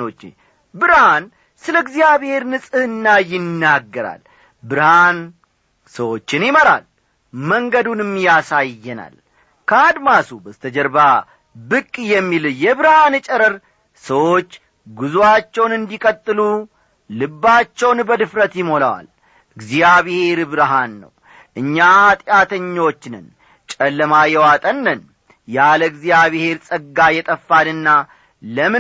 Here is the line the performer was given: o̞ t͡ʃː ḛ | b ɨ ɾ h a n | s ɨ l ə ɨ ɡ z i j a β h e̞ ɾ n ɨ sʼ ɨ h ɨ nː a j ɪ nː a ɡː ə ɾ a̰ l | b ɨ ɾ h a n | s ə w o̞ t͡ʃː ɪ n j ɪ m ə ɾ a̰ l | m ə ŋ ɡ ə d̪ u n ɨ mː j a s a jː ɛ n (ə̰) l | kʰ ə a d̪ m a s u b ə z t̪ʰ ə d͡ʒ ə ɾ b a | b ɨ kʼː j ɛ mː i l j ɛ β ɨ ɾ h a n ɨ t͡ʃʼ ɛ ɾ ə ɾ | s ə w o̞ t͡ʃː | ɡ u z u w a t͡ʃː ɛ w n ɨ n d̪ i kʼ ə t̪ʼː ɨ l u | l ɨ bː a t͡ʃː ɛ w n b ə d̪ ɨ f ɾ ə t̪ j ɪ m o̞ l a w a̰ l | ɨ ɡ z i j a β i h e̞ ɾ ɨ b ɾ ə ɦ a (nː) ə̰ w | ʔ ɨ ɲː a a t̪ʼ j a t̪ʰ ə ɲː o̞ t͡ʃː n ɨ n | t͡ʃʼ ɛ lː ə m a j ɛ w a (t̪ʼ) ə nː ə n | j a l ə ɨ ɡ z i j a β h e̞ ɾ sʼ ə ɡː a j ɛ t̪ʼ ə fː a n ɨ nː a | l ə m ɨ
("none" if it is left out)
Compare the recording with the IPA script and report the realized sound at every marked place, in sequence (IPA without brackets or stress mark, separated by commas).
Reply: a̰, nː, t̪ʼ